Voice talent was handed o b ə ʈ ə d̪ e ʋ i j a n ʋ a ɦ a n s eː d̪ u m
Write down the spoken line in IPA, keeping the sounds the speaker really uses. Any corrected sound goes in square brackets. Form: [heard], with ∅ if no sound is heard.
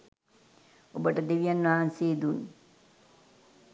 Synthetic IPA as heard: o b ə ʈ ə d̪ e ʋ i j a n ʋ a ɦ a n s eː d̪ u [n]